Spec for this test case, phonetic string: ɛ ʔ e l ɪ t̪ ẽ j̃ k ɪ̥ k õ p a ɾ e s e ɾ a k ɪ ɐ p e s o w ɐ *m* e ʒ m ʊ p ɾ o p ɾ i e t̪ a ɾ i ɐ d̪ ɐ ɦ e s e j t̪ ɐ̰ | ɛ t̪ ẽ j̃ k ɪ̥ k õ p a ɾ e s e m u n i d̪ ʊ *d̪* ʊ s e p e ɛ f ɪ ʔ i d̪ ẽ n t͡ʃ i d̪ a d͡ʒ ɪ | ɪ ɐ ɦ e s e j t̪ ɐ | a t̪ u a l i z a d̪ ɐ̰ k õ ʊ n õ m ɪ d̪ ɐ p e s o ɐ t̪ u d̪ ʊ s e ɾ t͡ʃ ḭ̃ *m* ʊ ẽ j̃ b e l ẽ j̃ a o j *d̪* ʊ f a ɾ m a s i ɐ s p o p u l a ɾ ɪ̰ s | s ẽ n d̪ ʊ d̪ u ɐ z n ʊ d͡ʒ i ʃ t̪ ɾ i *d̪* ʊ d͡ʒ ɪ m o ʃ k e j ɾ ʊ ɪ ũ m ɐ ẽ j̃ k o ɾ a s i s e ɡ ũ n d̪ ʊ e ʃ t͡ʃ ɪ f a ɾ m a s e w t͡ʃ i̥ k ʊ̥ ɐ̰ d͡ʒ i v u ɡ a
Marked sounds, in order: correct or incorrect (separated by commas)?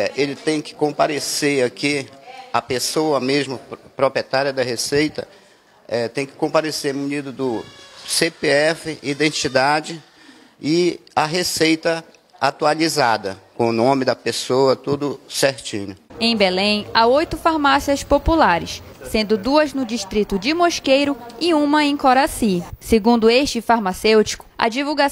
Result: correct, correct, incorrect, incorrect, incorrect